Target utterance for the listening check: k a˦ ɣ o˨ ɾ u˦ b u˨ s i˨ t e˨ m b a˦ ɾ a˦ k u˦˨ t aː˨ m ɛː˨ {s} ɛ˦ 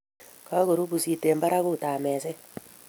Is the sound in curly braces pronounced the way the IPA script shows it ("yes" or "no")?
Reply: yes